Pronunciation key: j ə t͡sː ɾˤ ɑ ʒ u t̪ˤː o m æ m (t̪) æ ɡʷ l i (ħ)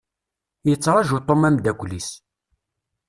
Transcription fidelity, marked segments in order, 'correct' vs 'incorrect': incorrect: d̪, incorrect: s

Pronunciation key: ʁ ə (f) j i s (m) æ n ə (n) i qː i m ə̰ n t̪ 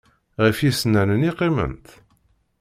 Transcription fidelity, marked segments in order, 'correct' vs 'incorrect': correct, incorrect: n, correct

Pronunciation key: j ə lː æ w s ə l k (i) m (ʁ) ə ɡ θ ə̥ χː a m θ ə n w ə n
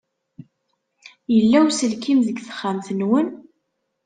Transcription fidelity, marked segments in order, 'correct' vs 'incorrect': correct, incorrect: ð

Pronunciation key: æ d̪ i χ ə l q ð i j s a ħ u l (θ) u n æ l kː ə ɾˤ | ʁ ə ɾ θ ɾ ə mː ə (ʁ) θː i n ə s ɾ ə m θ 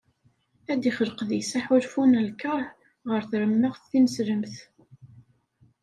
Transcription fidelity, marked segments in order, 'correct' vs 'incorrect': incorrect: f, correct

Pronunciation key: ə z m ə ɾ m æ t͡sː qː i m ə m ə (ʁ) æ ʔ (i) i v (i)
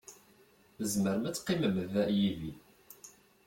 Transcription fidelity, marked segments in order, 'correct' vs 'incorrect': incorrect: v, incorrect: j, correct

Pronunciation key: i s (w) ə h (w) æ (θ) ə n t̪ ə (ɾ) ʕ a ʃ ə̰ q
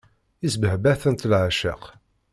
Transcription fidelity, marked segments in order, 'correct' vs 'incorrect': incorrect: b, incorrect: b, correct, incorrect: l

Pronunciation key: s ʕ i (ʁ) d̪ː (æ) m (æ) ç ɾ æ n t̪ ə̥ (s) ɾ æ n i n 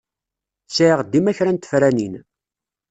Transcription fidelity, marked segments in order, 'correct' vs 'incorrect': correct, incorrect: i, correct, incorrect: f

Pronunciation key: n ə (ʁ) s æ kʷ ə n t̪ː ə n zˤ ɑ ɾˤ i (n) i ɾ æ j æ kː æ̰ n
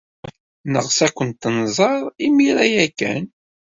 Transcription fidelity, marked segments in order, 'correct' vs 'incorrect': correct, incorrect: m

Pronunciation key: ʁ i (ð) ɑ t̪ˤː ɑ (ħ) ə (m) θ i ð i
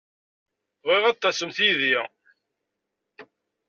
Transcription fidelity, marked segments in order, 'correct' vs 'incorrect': incorrect: ʁ, incorrect: s, correct

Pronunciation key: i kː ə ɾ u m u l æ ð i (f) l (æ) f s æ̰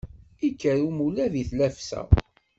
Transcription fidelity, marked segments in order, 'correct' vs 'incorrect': incorrect: θ, correct

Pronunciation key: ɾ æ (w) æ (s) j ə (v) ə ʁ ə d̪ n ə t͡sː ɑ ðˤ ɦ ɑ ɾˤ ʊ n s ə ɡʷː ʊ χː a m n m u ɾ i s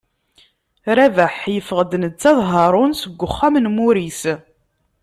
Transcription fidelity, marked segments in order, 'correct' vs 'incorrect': incorrect: v, incorrect: ħ, incorrect: f

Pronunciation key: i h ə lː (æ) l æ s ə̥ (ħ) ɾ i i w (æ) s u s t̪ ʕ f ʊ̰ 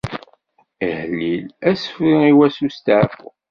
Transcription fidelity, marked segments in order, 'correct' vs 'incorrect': incorrect: i, incorrect: f, correct

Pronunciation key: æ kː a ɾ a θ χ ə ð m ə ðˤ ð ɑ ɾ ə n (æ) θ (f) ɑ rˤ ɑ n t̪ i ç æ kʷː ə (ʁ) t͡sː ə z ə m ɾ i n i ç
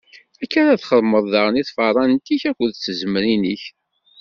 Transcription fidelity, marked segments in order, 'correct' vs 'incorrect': incorrect: i, correct, incorrect: ð

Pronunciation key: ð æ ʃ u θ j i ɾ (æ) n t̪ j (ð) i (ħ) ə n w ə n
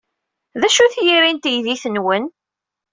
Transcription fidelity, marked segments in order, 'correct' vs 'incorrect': incorrect: i, correct, incorrect: θ

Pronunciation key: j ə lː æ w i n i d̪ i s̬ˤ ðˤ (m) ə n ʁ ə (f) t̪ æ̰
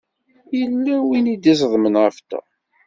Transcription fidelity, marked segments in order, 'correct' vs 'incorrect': correct, correct

